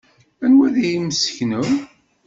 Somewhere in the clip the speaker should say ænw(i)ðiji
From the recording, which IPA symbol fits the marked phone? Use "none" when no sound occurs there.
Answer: æ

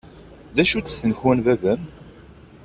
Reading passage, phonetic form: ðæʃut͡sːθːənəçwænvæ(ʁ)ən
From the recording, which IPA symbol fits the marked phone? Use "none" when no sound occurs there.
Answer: v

